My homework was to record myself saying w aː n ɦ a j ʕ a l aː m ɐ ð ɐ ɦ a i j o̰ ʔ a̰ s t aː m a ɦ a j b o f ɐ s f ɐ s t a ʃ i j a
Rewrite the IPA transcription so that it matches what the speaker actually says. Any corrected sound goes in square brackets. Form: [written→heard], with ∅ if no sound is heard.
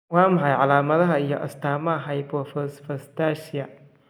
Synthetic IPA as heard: w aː [n→m] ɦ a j ʕ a l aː m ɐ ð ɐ ɦ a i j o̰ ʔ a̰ s t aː m a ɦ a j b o f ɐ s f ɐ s t a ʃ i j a